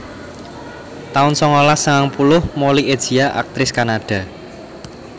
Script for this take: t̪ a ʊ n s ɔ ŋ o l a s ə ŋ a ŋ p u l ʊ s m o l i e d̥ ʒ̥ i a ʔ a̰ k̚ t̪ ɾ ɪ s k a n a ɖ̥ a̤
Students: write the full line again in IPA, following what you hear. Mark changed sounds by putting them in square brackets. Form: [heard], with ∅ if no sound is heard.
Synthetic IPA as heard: t̪ a ʊ n s ɔ ŋ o l a s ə ŋ a ŋ p u l ʊ [h] m o l i e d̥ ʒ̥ i a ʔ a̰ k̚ t̪ ɾ ɪ s k a n a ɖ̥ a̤